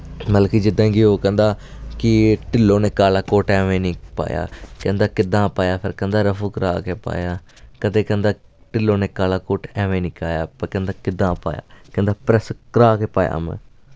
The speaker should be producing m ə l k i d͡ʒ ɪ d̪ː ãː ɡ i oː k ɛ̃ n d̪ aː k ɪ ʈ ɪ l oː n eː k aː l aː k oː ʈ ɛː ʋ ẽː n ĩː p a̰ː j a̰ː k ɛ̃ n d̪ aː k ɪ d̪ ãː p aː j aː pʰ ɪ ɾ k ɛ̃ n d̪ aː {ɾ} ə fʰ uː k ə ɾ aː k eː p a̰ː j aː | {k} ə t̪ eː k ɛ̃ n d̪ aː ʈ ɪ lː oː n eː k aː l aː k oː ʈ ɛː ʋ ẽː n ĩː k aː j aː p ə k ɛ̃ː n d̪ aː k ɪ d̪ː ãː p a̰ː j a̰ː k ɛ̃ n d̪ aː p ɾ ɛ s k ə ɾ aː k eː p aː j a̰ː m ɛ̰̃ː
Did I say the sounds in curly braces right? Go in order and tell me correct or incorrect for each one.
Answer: correct, correct

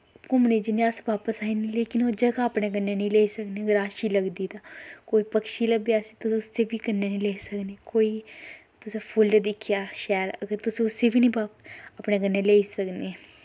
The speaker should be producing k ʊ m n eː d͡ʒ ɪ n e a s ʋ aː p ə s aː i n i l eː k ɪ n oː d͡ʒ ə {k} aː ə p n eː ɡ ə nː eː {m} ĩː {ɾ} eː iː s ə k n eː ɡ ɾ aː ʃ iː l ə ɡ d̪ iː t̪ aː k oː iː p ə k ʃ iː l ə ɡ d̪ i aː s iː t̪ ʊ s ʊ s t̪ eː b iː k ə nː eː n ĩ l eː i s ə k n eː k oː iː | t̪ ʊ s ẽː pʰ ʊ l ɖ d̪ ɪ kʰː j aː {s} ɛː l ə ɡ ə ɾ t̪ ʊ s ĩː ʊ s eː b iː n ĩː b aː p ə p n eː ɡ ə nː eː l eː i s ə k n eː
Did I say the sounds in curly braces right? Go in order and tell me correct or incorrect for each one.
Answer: incorrect: ɡ, incorrect: n, incorrect: l, incorrect: ʃ

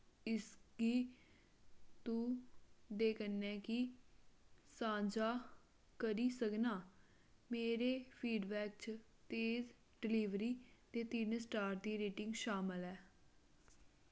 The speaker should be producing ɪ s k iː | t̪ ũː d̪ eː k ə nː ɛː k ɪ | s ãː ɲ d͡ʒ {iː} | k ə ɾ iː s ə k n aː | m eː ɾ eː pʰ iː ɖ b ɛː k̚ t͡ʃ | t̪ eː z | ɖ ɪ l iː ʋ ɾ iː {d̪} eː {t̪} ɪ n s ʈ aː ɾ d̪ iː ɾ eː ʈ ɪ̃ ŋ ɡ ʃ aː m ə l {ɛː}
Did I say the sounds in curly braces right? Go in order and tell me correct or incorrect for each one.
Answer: incorrect: aː, incorrect: t̪, correct, correct

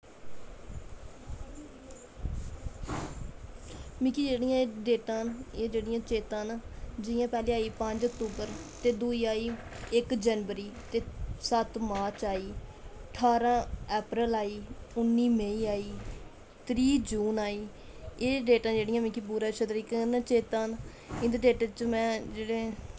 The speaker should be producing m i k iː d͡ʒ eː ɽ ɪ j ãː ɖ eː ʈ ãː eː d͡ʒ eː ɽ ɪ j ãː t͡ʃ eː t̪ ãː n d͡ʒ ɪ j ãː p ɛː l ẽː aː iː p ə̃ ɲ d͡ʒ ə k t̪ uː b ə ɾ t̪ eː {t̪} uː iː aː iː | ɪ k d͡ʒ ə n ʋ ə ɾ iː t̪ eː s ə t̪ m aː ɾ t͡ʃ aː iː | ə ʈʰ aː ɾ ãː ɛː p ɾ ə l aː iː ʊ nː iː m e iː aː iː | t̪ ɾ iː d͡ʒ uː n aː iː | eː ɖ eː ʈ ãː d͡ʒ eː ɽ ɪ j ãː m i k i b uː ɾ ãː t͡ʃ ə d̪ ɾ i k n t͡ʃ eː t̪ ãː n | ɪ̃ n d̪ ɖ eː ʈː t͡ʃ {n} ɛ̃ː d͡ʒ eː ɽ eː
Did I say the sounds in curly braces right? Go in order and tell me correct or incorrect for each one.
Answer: incorrect: d̪, incorrect: m

